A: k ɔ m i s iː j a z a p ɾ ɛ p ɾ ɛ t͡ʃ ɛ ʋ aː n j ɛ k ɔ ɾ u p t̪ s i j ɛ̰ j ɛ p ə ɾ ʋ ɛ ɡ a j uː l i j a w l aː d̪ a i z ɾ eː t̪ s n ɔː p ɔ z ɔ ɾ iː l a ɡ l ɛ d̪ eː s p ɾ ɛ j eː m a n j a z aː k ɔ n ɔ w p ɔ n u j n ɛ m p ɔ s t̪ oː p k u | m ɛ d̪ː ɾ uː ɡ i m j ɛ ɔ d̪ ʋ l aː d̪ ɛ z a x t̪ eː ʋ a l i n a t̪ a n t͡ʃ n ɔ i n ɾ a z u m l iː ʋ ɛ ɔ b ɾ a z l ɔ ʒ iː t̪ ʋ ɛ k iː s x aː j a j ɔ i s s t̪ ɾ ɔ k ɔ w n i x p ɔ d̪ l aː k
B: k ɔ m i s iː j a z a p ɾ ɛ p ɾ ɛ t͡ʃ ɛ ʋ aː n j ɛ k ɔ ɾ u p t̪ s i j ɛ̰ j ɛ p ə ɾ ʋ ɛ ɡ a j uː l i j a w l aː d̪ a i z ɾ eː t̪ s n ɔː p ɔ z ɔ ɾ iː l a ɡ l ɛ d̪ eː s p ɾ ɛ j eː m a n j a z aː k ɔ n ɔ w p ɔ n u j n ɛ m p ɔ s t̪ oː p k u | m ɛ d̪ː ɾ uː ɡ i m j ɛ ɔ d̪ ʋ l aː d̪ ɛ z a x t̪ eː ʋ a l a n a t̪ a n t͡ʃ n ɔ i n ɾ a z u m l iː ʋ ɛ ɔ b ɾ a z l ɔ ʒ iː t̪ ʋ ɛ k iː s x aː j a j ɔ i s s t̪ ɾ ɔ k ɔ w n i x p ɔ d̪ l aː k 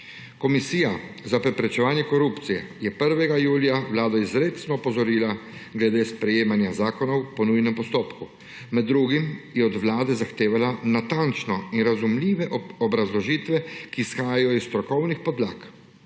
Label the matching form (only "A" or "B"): B